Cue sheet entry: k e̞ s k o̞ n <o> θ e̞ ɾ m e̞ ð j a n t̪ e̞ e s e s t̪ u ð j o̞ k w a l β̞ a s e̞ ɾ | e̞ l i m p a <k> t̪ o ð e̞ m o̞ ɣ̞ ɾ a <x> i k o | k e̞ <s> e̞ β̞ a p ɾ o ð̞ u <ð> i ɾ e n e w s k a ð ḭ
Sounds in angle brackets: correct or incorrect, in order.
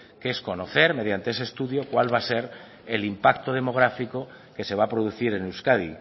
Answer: correct, correct, incorrect, correct, incorrect

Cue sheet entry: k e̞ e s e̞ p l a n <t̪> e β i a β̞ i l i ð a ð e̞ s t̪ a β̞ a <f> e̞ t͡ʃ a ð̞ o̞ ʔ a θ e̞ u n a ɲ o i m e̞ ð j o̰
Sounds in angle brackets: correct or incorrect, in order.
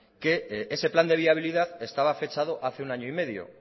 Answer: incorrect, correct

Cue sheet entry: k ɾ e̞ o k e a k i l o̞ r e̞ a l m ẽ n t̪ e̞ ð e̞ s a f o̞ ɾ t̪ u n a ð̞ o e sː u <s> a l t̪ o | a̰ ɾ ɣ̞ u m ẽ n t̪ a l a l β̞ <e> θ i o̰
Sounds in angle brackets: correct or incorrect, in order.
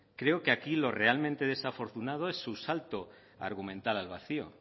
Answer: correct, incorrect

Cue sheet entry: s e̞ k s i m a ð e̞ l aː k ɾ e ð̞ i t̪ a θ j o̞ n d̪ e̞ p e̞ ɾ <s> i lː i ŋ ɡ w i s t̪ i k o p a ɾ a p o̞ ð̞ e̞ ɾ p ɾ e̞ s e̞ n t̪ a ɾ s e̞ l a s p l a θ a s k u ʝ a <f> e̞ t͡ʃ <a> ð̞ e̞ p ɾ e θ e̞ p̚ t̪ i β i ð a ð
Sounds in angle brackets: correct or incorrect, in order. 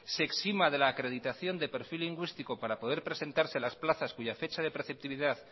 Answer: incorrect, correct, correct

